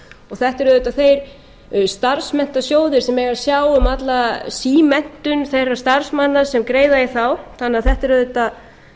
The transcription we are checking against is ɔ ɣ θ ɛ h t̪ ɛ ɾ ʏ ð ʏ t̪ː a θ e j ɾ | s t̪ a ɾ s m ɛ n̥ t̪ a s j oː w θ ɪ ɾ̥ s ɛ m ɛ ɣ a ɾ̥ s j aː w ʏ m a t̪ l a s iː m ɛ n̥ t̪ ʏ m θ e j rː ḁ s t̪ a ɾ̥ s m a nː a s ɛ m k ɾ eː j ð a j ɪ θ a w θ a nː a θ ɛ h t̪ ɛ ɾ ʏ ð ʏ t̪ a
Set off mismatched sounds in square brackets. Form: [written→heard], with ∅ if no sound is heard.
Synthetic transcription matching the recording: ɔ ɣ θ ɛ h t̪ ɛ ɾ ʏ ð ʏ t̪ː a θ e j ɾ | s t̪ a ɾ s m ɛ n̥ t̪ a s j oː w [θ→ð] ɪ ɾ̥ s ɛ m ɛ ɣ a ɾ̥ s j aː w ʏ m a t̪ l a s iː m ɛ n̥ t̪ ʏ [m→n] θ e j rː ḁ s t̪ a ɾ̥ s m a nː a s ɛ m k ɾ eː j ð a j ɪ θ a w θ a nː a θ ɛ h t̪ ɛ ɾ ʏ ð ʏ t̪ a